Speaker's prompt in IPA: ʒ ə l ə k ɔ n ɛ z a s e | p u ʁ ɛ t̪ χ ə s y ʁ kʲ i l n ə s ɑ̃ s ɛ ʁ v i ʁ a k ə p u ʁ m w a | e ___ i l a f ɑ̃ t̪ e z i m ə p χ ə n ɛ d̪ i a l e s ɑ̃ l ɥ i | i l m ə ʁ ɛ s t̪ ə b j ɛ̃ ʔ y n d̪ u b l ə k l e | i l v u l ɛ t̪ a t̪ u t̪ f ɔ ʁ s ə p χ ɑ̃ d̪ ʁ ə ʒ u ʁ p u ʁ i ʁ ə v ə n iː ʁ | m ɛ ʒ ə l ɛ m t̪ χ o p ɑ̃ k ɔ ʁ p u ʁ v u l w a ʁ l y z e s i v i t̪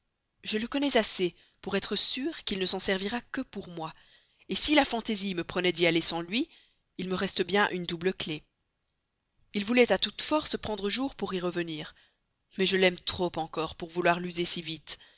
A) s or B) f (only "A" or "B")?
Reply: A